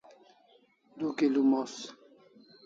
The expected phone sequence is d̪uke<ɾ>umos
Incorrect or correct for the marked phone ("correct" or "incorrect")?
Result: incorrect